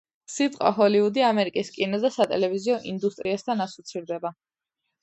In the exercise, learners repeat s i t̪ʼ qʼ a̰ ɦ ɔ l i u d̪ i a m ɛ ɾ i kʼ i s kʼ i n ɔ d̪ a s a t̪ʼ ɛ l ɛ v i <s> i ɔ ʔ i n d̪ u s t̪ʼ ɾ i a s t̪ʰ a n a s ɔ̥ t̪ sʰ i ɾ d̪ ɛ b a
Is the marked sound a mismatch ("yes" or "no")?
yes